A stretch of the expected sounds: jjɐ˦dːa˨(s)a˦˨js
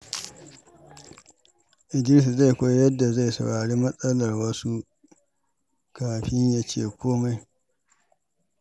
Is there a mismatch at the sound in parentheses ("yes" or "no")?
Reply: yes